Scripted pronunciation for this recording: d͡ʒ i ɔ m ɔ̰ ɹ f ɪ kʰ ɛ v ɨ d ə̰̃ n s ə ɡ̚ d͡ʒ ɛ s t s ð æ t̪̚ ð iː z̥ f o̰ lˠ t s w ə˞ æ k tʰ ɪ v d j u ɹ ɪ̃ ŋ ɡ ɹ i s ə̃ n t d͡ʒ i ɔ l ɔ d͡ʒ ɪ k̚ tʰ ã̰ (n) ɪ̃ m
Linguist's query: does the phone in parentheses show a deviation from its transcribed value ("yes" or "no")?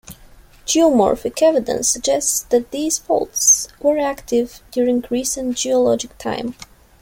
yes